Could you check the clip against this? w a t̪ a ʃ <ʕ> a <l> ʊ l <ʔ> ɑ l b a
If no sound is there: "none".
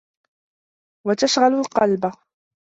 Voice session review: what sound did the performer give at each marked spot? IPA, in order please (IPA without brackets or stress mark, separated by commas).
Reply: ɣ, l, q